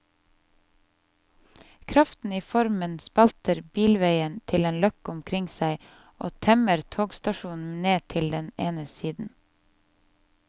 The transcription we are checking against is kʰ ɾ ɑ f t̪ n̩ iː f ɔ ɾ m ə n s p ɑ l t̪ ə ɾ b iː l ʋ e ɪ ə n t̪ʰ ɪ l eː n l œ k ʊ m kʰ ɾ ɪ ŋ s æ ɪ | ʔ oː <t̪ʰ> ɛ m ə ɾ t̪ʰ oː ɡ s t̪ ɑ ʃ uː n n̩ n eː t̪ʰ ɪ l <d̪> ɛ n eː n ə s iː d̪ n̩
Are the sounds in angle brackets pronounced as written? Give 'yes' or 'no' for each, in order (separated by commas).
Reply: yes, yes